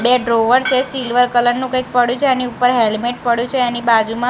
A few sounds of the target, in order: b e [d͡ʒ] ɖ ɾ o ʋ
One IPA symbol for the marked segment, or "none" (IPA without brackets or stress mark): none